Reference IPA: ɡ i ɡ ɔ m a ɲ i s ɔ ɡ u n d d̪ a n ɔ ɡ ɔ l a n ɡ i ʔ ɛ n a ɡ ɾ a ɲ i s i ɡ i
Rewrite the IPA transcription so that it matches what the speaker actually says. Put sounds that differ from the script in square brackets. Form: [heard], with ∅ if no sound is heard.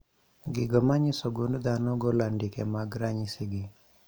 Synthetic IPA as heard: ɡ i ɡ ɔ m a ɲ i s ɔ ɡ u n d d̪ a n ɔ ɡ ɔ l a n [d] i [k] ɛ [m] a ɡ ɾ a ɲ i s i ɡ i

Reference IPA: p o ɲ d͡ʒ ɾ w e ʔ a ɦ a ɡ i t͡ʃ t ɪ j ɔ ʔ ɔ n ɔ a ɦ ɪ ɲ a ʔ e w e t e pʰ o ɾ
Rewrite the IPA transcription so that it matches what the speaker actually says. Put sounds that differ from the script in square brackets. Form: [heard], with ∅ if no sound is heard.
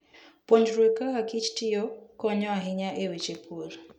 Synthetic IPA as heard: p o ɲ d͡ʒ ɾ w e [k] a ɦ a [k] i t͡ʃ t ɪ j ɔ [k] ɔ [ɲ] ɔ a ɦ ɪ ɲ a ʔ e w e [t͡ʃ] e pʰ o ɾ

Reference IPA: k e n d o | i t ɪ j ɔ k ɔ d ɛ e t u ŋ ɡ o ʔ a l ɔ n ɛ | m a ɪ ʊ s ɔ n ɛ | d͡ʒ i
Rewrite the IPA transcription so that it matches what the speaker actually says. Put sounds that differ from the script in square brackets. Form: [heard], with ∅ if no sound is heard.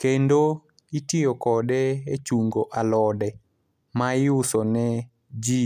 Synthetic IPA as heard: k e n d o | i t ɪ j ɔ k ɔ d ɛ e [t͡ʃ] u ŋ ɡ o ʔ a l ɔ [d] ɛ | m a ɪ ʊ s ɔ n ɛ | d͡ʒ i

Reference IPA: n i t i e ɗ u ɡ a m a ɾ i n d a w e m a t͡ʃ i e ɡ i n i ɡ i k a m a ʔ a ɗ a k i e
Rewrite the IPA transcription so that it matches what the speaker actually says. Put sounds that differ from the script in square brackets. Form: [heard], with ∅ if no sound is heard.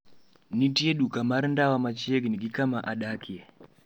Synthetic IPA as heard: n i t i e ɗ u [k] a m a ɾ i n d a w [a] m a t͡ʃ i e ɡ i n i ɡ i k a m a ʔ a ɗ a k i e

